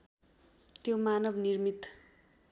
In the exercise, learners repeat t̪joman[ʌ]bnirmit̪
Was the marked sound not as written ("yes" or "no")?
no